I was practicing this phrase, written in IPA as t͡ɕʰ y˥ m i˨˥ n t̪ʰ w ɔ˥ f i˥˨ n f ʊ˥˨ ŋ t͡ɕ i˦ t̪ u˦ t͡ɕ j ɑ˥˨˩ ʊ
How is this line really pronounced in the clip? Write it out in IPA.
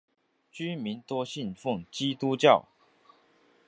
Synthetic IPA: t͡ɕ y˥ m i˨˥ n t̪ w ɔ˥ ɕ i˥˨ n f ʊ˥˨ ŋ t͡ɕ i˦ t̪ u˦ t͡ɕ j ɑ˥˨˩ ʊ